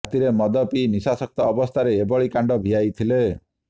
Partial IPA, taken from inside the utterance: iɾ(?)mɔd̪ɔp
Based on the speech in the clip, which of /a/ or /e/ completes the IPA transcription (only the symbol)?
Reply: e